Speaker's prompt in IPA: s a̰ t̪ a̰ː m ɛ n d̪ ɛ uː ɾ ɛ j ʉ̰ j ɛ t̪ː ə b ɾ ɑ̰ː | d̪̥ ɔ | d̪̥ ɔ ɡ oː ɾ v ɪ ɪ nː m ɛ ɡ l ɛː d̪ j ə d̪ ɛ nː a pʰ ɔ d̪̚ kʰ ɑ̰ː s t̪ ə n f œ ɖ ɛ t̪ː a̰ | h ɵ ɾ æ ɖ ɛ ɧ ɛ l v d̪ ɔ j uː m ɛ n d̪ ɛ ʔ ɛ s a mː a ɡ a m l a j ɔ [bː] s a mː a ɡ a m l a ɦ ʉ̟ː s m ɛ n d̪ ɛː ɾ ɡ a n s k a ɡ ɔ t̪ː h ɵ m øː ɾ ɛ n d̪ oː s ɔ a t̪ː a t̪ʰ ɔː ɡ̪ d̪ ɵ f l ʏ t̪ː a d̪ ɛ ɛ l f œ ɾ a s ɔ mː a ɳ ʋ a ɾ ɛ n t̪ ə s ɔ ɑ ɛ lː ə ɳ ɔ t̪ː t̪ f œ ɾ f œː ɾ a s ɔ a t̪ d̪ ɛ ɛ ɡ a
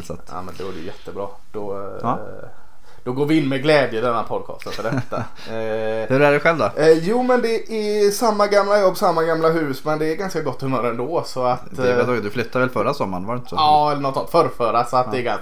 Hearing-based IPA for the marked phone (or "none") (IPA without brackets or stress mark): bː